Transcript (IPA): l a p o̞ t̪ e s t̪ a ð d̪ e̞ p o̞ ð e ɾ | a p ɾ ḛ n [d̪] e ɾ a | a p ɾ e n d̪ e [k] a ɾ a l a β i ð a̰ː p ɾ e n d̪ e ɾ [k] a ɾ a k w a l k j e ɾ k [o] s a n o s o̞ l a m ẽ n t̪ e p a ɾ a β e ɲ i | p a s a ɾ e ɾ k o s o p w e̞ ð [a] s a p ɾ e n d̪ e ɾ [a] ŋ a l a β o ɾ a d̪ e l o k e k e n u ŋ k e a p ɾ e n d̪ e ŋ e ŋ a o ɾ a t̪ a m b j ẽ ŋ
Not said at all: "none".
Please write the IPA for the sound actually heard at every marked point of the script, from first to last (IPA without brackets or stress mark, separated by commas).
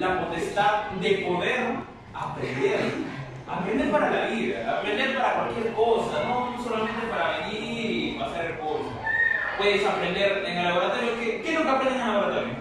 d̪, p, p, o, e, e